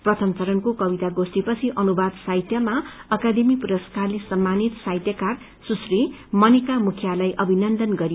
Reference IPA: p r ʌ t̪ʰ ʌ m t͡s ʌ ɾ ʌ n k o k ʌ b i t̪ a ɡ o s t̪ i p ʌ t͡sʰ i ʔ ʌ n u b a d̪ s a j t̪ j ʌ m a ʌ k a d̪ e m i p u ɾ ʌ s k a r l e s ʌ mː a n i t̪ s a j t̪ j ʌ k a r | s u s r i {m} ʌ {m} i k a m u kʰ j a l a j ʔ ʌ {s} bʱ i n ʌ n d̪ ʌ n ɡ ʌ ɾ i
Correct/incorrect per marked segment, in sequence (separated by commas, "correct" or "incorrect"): correct, incorrect, incorrect